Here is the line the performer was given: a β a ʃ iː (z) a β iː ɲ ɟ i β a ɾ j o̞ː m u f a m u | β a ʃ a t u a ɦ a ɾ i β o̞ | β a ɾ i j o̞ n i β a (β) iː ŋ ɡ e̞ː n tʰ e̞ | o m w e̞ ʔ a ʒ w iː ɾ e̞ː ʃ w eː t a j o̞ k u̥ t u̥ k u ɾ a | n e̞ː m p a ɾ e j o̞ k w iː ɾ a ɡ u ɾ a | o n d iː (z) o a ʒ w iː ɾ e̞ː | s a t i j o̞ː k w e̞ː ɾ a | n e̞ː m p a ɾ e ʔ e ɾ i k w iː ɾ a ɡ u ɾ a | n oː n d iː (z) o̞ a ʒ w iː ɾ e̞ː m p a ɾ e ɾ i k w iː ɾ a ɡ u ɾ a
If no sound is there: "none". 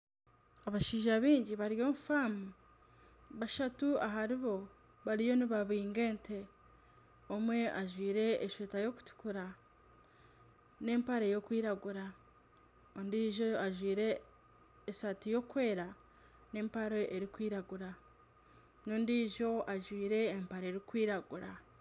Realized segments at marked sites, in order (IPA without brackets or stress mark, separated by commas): ʒ, β, ʒ, ʒ